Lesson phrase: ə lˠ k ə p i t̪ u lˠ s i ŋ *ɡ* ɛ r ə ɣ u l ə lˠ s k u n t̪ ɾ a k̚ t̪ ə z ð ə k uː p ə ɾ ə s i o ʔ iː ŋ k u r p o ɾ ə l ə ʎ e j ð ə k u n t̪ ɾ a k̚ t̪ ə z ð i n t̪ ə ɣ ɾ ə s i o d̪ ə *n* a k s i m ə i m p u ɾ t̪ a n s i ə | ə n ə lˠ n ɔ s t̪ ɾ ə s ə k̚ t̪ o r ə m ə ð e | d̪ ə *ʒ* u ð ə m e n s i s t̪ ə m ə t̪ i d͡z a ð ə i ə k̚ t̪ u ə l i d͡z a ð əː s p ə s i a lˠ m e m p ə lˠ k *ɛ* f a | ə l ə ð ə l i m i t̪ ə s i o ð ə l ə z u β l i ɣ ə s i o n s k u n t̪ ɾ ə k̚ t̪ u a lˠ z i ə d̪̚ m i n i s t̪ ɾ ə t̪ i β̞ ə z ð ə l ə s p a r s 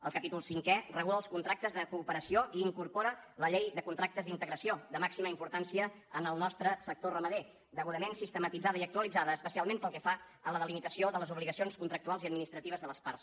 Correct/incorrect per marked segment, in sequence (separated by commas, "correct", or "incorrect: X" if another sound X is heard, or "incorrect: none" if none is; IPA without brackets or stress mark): incorrect: k, incorrect: m, incorrect: ɣ, correct